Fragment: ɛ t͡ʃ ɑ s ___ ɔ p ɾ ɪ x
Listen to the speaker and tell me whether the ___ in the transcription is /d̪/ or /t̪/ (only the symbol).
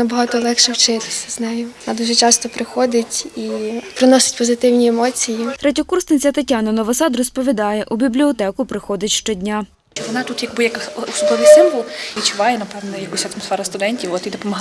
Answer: t̪